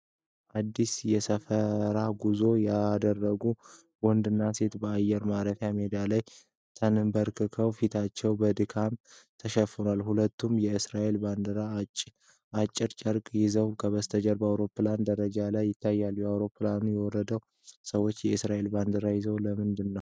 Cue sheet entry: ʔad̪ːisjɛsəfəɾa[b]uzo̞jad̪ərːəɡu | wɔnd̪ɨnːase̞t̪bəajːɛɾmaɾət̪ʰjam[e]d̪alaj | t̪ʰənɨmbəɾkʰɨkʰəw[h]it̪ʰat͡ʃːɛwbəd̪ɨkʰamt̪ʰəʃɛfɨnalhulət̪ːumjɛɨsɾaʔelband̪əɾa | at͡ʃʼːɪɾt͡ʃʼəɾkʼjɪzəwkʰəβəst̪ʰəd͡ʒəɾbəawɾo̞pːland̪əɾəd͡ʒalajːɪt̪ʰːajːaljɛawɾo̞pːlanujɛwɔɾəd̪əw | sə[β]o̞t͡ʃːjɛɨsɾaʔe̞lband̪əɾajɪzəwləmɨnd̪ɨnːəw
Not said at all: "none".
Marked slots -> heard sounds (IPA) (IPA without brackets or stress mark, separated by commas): ɡ, e, f, w